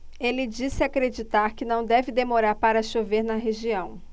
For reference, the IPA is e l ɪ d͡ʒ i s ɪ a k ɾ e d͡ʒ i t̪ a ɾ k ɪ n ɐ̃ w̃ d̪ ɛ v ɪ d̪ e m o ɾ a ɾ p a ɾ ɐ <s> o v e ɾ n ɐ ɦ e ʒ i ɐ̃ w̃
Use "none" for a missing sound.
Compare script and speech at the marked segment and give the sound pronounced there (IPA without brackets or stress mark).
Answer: ʃ